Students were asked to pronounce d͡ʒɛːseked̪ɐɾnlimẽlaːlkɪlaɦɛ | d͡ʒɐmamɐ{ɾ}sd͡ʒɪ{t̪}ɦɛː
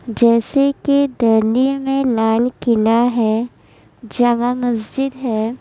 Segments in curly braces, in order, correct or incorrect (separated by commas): incorrect, incorrect